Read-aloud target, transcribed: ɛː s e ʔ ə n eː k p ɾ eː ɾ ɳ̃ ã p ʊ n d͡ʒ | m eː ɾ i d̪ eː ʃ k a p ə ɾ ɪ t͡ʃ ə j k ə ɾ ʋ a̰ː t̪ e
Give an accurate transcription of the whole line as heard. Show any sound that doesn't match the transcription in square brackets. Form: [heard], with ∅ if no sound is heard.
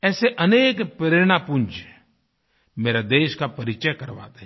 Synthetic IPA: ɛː s e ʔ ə n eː k p ɾ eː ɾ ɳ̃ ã p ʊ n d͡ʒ | m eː ɾ [a] d̪ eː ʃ k a p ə ɾ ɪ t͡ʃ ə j k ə ɾ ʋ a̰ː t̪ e